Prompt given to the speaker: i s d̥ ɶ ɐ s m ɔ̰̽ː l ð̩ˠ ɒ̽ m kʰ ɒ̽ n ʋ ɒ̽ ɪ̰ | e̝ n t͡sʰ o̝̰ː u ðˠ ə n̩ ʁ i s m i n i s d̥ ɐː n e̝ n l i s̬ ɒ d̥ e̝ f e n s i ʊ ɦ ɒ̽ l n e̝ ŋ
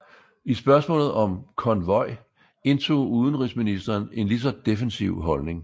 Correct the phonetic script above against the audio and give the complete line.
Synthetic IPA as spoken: i s b̥ ɶ ɐ s m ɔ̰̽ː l ð̩ˠ ɒ̽ m kʰ ɒ̽ n ʋ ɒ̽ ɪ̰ | e̝ n t͡sʰ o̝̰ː u ðˠ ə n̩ ʁ i s m i n i s d̥ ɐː n e̝ n l i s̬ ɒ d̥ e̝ f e n s i ʊ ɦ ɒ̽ l n e̝ ŋ